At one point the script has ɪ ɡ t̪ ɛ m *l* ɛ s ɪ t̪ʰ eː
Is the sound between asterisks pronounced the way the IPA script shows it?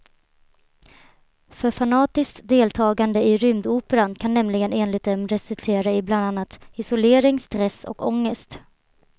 no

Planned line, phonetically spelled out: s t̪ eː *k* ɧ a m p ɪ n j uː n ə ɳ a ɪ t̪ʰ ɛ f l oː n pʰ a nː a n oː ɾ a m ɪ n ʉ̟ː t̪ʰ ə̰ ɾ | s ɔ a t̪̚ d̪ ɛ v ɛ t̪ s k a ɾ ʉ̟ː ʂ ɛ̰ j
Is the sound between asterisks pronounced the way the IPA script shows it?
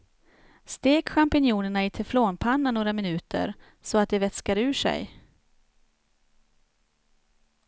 yes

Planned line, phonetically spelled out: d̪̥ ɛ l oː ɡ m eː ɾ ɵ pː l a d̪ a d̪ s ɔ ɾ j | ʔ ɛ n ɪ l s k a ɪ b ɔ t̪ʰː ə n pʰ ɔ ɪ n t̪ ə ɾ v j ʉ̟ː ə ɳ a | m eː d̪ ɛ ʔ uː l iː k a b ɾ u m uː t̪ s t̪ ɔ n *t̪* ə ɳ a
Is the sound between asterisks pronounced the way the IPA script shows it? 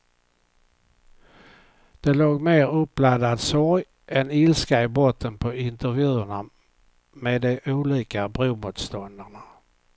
no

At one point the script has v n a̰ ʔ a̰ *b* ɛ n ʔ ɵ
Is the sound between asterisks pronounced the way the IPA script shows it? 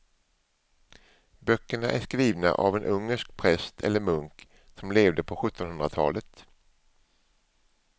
no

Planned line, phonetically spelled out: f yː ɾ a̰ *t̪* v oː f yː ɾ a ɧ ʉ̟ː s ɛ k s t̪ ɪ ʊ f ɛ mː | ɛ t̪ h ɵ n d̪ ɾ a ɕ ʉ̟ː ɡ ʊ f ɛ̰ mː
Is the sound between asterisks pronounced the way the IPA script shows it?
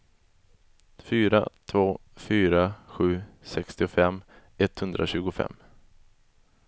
no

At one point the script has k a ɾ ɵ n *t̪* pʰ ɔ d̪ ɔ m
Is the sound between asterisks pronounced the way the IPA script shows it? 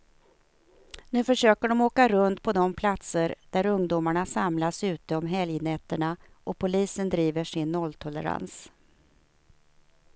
yes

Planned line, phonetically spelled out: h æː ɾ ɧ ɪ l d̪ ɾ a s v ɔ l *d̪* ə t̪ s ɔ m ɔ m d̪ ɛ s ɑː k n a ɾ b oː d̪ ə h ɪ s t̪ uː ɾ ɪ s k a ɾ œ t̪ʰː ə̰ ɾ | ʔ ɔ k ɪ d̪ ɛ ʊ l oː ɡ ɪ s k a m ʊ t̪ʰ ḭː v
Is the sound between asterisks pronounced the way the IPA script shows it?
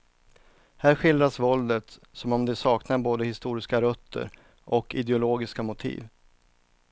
yes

